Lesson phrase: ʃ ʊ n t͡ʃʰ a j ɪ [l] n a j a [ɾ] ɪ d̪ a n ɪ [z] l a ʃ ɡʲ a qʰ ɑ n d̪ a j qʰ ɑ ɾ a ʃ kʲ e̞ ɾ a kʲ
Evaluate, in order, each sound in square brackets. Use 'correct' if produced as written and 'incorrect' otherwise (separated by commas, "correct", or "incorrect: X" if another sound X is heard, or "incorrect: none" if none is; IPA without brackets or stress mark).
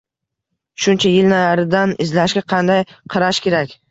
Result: correct, correct, correct